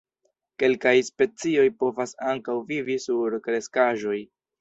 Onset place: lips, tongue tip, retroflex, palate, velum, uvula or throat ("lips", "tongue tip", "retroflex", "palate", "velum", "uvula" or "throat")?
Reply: velum